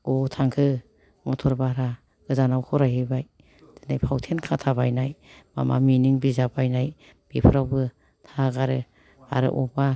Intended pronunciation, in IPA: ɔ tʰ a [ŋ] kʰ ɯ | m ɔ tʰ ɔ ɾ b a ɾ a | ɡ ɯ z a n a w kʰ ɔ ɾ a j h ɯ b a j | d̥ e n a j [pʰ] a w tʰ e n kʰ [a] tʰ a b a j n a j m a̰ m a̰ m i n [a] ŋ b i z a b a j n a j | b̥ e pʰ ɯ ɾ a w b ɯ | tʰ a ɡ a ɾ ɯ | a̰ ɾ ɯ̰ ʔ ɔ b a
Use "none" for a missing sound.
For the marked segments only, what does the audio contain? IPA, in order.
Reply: ŋ, pʰ, a, i

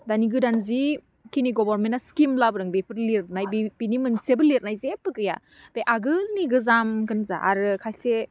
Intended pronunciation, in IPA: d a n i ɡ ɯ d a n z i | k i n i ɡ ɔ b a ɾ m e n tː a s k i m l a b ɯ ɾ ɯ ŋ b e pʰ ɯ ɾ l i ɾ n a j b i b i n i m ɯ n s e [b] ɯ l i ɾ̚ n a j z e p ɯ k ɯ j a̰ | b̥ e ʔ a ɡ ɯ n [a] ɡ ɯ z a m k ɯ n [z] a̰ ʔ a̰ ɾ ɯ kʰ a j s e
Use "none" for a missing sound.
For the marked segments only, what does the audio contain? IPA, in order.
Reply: b, i, z

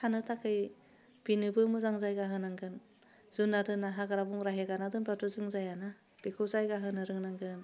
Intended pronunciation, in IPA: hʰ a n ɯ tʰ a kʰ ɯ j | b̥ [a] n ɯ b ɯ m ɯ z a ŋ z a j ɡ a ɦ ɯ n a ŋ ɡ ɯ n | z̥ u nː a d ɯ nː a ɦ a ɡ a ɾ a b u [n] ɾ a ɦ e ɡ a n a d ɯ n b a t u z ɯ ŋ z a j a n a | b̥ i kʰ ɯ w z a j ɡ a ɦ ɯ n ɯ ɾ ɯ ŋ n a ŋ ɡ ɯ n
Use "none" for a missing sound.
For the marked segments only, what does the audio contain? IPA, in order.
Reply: i, ŋ

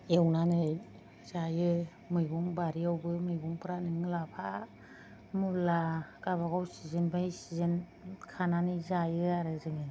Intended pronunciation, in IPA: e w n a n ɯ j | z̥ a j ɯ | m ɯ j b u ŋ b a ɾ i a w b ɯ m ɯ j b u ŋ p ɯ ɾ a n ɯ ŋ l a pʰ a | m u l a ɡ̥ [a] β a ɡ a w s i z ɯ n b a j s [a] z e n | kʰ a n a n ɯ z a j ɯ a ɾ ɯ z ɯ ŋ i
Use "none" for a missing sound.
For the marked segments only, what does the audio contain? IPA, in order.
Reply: a, i

